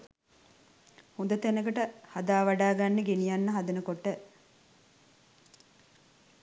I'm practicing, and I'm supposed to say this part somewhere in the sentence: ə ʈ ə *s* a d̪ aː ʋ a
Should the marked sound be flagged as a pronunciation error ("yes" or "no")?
yes